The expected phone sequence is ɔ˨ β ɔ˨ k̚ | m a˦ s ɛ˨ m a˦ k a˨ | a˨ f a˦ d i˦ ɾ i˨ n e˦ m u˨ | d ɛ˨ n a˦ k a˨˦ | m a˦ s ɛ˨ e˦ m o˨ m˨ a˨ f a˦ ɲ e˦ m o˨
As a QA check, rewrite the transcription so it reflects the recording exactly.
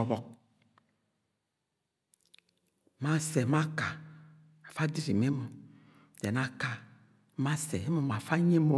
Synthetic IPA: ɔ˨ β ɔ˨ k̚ | m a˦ s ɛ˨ m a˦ k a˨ | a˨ f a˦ d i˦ ɾ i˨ m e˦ m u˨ | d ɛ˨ n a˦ k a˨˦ | m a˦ s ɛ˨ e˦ m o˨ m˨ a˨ f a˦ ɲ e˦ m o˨